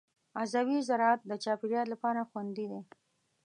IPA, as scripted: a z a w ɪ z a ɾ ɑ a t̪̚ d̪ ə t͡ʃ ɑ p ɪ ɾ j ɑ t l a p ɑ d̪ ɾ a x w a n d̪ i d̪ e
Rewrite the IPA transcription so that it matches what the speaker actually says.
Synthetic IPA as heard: a z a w i z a ɾ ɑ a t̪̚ d̪ ə t͡ʃ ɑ p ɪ ɾ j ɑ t l a p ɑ ɾ a x w a n d̪ i d̪ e